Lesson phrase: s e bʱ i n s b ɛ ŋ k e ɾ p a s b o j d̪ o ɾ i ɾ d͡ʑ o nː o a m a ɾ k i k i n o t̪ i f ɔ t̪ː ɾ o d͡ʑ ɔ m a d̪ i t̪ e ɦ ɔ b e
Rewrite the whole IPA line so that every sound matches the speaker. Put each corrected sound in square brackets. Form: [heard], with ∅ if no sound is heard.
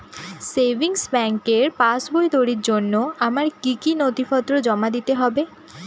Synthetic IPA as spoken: s e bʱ i [ŋ] s b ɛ ŋ k e ɾ p a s b o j d̪ o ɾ i ɾ d͡ʑ o nː o a m a ɾ k i k i n o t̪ i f ɔ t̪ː ɾ o d͡ʑ ɔ m a d̪ i t̪ e ɦ ɔ b e